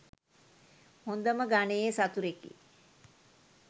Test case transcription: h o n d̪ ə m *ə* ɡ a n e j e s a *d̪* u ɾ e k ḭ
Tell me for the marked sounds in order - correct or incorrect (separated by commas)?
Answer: correct, incorrect